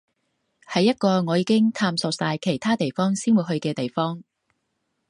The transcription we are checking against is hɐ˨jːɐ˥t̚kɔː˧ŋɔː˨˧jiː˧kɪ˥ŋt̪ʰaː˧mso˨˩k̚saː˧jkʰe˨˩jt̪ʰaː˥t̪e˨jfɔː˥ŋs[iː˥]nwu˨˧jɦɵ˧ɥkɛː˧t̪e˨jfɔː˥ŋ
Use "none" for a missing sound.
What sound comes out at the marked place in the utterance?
iː˥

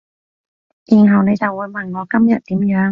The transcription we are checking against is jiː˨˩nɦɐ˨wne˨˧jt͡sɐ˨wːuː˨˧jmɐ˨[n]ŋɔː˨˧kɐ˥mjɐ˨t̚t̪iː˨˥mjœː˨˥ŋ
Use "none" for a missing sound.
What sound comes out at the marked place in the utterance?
n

